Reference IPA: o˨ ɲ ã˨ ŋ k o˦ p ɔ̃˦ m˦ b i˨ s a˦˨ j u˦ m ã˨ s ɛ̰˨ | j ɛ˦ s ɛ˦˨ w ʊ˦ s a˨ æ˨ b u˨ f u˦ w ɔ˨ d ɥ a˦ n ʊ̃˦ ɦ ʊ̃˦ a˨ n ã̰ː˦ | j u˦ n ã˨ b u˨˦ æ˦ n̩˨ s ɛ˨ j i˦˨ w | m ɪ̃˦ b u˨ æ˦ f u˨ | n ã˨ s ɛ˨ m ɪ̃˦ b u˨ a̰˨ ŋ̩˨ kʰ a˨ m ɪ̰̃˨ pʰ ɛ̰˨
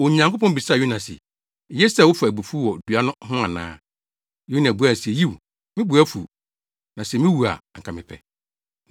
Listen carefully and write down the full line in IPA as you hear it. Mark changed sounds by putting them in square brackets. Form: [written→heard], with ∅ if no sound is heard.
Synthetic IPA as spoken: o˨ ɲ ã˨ ŋ k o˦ p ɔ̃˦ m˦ b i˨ s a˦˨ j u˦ [m→n] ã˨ s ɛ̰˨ | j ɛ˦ s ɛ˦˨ w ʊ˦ [s→f] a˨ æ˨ b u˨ f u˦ w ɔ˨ d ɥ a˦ n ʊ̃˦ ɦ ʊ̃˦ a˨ n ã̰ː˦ | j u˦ n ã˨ b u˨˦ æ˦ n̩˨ s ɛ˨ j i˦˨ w | m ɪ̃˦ b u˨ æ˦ f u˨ | n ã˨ s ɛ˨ m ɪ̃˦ [b→w] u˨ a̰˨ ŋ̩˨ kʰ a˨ m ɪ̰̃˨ pʰ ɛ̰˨

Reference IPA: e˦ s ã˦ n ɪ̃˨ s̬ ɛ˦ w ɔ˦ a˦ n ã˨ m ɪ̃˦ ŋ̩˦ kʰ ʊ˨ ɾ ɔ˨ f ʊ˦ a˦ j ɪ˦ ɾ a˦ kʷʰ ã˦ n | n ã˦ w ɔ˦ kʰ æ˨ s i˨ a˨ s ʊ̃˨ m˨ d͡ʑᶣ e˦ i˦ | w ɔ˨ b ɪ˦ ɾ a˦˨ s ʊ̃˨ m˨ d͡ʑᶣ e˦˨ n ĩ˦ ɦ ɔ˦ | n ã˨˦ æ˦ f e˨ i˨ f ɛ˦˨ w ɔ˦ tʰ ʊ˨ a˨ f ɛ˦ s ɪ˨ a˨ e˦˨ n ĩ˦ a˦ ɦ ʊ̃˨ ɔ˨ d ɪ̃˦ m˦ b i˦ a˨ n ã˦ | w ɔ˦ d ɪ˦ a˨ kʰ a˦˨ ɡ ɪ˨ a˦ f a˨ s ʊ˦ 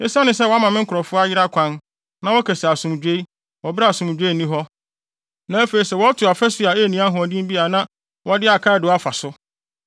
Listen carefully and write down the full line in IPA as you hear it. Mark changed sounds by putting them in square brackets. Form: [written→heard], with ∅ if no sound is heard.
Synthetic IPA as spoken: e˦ s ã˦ n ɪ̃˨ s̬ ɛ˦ w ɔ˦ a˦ [n→m] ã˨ m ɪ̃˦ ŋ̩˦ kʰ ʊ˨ ɾ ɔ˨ f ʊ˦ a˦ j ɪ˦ ɾ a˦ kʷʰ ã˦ n | n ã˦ w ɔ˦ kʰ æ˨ s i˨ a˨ s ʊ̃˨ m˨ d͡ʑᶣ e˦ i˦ | w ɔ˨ b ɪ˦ ɾ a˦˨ s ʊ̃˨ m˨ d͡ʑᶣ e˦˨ n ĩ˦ ɦ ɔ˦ | n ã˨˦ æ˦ f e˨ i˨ [f→s] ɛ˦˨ w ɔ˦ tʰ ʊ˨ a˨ f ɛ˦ s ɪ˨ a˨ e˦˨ n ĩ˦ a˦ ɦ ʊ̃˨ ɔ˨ d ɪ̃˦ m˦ b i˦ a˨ n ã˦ | w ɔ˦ d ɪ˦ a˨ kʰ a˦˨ [ɡ→d] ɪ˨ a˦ f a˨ s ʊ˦

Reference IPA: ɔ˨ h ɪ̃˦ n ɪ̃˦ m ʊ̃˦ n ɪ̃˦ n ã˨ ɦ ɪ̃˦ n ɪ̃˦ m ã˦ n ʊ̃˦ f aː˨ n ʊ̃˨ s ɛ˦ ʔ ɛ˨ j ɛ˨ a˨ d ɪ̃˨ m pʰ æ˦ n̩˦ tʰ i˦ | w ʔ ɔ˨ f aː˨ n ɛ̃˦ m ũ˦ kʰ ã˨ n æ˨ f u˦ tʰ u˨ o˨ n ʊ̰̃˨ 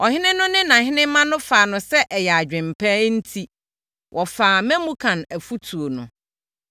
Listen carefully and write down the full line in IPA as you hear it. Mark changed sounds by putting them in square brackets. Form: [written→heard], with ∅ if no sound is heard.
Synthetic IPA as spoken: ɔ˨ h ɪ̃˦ n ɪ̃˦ [m→n] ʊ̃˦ n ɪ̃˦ n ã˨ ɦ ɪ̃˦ n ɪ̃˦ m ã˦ n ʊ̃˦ f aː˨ n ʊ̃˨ s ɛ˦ ʔ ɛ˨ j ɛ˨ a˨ [d→d͡ʑᶣ] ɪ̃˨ m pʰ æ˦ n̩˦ tʰ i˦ | w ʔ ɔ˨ f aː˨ [n→m] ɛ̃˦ m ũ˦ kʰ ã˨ n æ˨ f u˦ tʰ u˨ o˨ n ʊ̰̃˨

